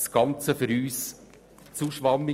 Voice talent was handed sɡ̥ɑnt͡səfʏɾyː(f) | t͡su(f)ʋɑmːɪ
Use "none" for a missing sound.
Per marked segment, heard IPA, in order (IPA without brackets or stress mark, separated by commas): s, ʃ